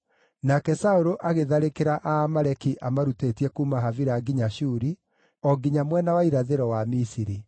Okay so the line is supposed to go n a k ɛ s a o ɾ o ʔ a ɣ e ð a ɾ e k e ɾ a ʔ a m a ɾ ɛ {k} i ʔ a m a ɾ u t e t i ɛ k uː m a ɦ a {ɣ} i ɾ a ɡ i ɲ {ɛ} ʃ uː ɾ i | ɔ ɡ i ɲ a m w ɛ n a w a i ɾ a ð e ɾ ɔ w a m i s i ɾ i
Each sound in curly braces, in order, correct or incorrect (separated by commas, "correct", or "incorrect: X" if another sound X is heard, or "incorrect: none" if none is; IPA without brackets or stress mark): correct, incorrect: v, incorrect: a